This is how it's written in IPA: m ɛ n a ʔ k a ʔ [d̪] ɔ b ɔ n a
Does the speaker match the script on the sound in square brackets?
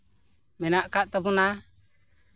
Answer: no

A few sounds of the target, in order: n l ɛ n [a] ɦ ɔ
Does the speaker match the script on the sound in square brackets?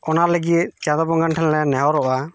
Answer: no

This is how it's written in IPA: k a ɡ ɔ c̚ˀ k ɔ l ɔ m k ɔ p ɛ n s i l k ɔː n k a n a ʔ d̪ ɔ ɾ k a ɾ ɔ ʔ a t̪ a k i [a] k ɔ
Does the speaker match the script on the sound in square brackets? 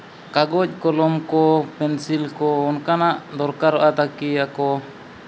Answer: yes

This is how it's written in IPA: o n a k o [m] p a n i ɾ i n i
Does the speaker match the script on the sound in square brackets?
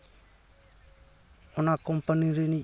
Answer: yes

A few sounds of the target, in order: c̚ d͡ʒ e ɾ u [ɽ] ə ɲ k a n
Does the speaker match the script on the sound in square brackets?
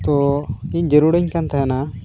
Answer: yes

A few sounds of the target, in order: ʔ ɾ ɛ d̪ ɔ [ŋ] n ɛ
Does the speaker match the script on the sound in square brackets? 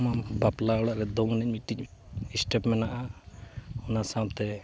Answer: yes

